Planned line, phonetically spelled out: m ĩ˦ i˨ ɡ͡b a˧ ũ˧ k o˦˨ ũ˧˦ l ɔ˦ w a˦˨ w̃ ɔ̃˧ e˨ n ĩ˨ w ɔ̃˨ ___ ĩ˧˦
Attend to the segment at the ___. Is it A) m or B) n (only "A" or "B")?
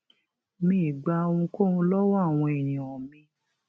A